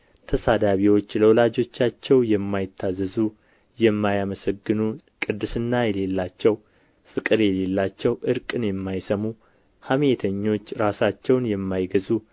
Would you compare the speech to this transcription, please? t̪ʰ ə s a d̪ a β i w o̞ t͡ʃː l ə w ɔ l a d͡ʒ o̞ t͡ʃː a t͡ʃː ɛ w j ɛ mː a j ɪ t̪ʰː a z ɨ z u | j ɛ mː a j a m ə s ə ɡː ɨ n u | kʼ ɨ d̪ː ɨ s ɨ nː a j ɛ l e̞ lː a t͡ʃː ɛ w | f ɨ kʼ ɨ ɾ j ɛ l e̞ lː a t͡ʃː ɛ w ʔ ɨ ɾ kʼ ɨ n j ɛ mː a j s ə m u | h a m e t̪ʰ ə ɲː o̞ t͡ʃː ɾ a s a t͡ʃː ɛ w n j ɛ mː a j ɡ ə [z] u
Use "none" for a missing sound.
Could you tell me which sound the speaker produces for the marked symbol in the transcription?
z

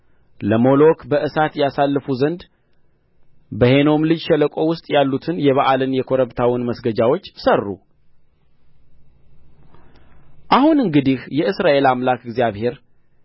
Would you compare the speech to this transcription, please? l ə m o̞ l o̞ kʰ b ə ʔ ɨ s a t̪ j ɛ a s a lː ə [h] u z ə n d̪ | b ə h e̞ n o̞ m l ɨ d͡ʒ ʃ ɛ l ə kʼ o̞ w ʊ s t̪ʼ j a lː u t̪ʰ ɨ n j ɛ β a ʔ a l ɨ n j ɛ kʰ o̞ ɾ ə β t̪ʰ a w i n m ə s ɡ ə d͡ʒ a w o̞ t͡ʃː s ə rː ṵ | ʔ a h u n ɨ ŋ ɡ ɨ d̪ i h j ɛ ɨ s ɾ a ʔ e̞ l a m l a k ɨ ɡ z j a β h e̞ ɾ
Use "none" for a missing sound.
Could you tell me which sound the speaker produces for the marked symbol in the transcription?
f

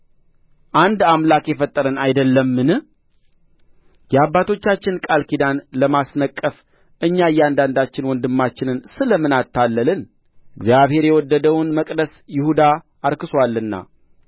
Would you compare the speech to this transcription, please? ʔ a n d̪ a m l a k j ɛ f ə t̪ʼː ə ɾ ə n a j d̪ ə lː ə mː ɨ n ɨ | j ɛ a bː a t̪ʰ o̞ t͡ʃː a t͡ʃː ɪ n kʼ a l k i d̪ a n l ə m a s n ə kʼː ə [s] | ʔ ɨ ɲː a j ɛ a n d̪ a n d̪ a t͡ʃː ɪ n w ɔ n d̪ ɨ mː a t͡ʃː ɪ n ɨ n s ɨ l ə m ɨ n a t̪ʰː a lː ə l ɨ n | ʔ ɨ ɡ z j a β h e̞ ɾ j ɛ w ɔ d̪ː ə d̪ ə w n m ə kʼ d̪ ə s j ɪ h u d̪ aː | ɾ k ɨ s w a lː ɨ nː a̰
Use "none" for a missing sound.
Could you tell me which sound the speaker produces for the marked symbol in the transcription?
f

